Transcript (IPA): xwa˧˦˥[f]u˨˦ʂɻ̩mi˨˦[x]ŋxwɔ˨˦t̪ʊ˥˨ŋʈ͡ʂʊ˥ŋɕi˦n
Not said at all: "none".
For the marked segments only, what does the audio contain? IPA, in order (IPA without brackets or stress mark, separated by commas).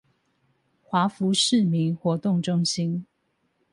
f, none